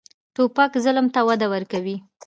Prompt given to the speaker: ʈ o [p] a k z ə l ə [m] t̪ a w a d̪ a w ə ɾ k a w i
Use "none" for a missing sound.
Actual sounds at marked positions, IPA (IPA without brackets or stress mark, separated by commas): p, m